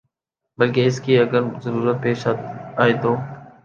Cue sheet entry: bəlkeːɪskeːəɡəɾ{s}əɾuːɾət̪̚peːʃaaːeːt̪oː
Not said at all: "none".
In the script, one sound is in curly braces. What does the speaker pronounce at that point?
z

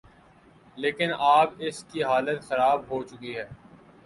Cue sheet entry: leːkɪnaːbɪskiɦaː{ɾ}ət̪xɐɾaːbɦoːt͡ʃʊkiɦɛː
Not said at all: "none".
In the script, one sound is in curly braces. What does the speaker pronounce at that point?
l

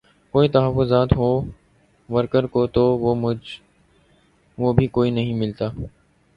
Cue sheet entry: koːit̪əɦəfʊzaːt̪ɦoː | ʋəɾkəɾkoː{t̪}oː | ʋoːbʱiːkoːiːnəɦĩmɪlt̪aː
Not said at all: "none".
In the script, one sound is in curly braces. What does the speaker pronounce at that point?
t̪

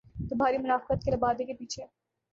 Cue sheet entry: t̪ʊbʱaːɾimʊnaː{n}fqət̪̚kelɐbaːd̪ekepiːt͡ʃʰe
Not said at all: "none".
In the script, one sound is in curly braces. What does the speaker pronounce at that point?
none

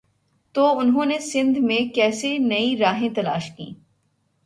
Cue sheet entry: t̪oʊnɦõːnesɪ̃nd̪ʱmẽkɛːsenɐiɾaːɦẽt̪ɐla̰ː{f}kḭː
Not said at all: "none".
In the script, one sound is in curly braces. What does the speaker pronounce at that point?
ʃ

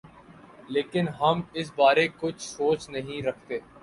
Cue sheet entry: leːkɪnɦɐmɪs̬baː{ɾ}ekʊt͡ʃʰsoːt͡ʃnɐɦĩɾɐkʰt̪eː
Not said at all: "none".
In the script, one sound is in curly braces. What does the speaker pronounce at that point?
ɾ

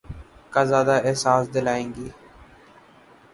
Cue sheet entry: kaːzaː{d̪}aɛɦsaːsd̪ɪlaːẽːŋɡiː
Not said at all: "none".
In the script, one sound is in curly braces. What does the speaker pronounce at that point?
d̪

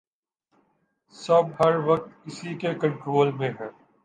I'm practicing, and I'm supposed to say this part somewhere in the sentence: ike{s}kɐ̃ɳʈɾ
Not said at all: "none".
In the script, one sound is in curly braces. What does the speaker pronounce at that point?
none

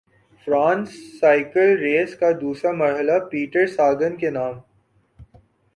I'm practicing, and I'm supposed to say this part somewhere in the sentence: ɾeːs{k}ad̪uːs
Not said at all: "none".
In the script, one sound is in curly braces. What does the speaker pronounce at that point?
k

